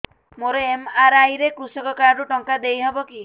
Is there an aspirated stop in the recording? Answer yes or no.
no